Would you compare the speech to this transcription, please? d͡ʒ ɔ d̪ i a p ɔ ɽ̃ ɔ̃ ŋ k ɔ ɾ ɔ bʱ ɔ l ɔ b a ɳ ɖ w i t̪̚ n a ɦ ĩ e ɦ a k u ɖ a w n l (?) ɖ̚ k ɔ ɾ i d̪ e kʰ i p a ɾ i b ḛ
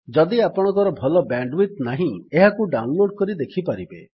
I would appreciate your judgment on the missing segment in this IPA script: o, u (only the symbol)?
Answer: o